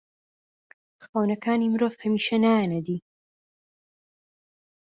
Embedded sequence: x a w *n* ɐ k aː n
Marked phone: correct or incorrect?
correct